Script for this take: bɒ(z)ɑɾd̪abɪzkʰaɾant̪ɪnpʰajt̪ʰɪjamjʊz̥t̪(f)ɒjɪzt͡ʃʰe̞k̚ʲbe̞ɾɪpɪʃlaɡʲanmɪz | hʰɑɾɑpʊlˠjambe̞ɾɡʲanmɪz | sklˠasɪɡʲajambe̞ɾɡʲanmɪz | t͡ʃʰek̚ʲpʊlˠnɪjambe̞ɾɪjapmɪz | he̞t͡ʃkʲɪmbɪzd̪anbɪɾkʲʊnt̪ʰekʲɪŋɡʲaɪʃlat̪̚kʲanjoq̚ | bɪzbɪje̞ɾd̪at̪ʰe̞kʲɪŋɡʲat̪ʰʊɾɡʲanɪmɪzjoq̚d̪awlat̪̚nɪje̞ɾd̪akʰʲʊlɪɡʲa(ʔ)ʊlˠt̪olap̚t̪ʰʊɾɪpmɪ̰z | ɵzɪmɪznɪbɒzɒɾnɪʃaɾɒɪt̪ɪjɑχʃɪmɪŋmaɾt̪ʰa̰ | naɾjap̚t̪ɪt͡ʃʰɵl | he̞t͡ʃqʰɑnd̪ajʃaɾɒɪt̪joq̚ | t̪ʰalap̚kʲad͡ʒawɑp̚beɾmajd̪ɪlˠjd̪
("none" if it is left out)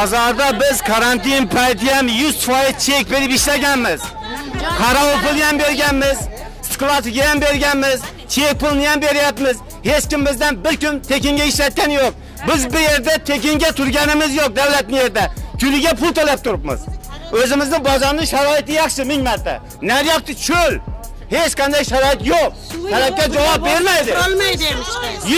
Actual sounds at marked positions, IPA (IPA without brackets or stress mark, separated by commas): z, f, p